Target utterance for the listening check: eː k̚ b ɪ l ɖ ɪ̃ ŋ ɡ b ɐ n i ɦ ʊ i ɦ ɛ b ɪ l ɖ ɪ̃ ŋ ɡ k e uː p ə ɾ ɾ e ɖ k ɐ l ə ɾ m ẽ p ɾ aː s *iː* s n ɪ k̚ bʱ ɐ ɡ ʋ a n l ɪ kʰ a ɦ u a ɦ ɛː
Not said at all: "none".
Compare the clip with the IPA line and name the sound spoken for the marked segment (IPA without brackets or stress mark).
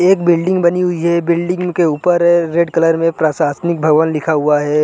aː